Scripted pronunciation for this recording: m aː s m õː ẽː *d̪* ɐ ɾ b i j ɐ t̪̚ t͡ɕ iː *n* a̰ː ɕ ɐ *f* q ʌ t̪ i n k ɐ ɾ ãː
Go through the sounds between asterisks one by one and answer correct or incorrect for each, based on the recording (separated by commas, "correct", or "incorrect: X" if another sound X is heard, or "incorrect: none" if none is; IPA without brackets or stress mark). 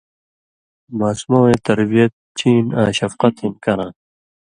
incorrect: t̪, correct, correct